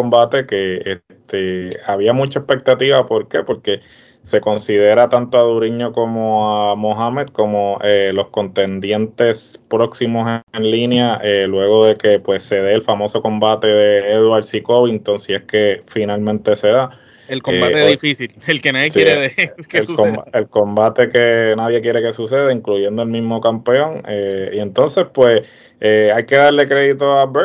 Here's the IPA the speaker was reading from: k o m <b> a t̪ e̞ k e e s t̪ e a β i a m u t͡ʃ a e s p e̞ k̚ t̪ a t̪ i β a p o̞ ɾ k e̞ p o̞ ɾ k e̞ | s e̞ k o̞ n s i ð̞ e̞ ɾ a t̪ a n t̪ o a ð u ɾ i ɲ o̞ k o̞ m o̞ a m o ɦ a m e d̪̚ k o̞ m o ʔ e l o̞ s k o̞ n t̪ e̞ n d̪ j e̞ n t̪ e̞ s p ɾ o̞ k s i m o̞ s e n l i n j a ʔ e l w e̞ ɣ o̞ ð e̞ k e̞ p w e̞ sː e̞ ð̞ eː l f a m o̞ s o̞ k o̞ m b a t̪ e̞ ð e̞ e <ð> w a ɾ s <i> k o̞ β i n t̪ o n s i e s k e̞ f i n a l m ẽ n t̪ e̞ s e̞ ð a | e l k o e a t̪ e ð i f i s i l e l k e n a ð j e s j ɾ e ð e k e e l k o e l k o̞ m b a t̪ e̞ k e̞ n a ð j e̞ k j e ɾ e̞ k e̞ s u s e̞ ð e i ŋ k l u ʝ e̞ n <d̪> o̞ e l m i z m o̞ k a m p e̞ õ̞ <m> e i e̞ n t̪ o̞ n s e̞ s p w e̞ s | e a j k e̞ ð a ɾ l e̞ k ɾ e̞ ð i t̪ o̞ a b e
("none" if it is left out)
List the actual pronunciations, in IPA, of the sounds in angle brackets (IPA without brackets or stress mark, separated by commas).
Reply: b, ð, i, d̪, ŋ